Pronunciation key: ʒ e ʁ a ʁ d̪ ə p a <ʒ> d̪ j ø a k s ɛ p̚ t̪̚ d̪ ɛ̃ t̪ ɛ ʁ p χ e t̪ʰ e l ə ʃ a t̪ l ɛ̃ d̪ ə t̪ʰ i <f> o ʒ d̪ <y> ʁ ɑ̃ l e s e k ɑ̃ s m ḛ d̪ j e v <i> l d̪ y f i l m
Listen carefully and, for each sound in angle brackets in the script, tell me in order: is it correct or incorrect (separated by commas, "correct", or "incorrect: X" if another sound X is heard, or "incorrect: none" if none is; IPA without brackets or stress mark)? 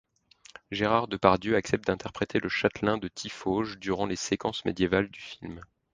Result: incorrect: ʁ, correct, correct, incorrect: a